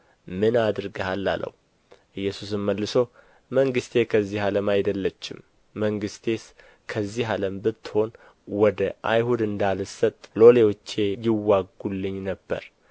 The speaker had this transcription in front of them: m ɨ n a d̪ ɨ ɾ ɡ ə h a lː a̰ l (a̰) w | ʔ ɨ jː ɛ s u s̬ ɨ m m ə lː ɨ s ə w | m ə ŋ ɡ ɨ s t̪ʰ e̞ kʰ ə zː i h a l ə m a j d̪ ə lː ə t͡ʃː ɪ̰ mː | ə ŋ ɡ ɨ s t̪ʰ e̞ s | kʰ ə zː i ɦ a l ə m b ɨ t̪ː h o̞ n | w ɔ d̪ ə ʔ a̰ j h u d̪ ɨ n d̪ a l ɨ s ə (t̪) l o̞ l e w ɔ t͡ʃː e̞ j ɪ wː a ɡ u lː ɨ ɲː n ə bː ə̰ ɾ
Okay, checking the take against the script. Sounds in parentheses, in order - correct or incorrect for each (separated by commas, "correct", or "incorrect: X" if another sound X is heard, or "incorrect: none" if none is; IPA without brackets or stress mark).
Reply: incorrect: ə̰, incorrect: t̪ʼ